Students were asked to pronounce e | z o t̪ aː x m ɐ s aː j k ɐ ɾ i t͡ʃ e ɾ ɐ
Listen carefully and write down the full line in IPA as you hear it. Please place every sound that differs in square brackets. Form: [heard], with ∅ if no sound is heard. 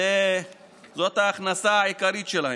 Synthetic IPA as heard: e | z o t̪ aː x [n] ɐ s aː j k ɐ ɾ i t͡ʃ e [l] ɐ